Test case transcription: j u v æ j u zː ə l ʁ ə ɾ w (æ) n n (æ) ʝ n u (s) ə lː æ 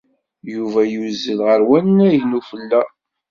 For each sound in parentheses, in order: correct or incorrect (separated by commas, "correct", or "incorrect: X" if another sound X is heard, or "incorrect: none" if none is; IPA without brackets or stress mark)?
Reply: correct, correct, incorrect: f